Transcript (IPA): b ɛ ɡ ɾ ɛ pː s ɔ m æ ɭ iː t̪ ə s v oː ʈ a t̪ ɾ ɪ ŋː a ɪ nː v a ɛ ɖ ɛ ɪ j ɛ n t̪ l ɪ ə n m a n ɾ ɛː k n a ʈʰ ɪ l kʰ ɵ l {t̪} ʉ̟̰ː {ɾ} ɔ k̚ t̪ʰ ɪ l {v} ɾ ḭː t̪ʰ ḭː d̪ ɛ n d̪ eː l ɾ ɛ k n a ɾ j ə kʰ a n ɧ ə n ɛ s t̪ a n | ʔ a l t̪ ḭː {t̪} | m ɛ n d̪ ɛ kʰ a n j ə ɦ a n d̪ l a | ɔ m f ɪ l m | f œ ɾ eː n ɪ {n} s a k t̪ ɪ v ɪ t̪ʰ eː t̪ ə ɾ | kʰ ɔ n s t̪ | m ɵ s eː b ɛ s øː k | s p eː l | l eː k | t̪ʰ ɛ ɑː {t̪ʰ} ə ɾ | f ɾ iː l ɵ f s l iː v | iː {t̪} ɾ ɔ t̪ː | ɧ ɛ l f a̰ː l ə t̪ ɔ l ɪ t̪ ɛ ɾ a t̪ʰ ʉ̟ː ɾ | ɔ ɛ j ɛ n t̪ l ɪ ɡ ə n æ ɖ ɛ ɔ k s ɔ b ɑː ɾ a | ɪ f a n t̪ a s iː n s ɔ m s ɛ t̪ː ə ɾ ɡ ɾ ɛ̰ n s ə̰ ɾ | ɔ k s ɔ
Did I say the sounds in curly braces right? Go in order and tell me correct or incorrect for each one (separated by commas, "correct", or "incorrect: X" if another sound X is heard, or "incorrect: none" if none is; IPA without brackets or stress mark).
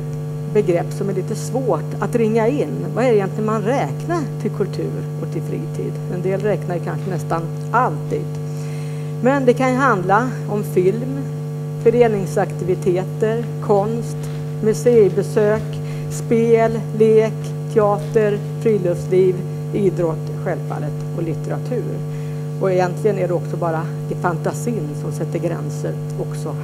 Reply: incorrect: t̪ʰ, correct, incorrect: f, incorrect: d̪, incorrect: ŋ, incorrect: t̪, incorrect: d̪